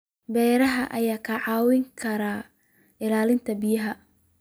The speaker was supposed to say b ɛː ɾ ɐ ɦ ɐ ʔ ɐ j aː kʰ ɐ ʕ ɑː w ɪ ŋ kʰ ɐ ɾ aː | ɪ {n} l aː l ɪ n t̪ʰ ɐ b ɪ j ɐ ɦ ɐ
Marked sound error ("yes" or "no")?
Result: yes